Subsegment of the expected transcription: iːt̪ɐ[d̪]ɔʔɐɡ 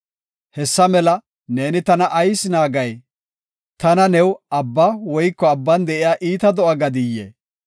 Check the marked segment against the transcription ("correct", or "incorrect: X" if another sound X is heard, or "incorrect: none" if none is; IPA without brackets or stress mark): correct